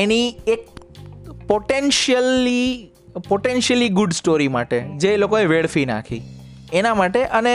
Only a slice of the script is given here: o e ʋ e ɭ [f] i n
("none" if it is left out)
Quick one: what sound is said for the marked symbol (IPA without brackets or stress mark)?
f